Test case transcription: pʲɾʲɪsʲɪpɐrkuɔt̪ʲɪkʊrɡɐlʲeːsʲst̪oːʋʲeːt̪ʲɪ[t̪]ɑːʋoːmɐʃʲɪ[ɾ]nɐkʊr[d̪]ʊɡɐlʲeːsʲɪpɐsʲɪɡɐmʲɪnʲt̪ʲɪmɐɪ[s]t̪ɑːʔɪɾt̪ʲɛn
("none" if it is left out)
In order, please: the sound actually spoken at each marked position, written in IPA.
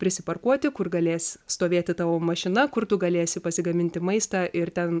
t̪, none, t̪, s

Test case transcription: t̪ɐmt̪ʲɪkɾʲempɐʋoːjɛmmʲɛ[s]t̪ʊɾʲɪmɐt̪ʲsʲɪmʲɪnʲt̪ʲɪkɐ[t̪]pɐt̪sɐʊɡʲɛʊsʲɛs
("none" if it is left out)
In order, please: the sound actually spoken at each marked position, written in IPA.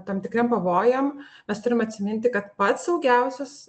s, t̪

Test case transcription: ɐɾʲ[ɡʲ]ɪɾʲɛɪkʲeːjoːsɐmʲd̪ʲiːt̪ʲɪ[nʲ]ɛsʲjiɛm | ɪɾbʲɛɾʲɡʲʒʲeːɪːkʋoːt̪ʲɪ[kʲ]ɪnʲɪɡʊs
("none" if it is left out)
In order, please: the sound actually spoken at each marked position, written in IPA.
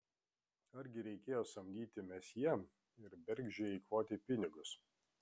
ɡʲ, mʲ, pʲ

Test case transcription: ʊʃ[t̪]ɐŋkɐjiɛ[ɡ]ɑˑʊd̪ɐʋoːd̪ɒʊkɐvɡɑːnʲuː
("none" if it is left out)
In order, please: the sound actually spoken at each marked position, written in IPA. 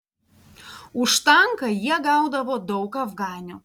t̪, ɡ

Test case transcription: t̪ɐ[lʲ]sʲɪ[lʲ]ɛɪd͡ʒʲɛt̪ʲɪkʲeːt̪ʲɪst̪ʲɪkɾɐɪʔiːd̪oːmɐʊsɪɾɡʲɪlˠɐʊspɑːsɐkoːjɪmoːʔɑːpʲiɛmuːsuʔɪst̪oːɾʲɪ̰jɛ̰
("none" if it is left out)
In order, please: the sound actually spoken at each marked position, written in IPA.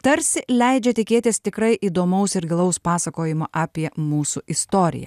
ɾʲ, lʲ

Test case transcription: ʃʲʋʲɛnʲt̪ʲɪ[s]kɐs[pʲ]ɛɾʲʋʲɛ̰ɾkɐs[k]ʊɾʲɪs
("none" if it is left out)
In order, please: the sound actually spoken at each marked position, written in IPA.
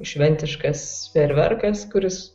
ʃ, pʲ, k

